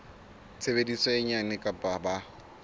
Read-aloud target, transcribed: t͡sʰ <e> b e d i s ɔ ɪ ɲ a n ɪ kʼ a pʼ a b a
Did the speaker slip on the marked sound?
no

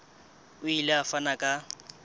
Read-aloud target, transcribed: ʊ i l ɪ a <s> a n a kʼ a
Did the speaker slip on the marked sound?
yes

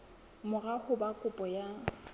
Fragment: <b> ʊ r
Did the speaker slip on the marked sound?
yes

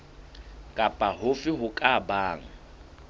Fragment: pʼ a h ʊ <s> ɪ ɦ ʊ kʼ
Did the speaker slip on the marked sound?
yes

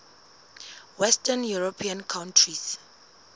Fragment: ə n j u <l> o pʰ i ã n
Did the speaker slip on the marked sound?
yes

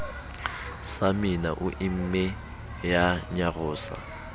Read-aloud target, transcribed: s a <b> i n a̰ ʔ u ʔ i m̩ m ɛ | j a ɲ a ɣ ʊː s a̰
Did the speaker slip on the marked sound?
yes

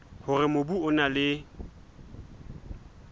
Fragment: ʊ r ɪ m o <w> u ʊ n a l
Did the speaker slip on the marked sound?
yes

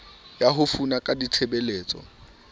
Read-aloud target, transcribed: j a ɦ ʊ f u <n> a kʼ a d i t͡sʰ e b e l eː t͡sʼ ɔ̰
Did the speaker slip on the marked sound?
no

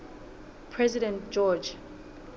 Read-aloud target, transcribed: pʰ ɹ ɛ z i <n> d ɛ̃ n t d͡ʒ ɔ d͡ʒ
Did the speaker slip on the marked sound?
yes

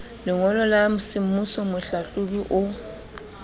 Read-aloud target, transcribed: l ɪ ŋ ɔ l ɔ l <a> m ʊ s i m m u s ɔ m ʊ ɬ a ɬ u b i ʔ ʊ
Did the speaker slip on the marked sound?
no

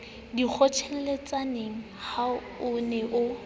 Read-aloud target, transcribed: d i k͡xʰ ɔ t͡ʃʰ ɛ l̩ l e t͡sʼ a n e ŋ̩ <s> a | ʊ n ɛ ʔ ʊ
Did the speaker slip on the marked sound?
yes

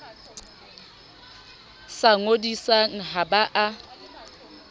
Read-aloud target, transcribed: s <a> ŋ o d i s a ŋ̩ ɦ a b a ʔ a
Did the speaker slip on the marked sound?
no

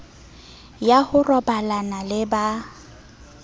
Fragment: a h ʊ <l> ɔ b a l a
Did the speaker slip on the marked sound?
yes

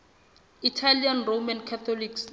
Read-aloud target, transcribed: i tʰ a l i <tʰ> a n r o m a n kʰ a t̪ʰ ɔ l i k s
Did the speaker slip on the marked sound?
yes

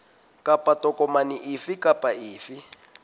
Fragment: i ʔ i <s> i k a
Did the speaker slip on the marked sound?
yes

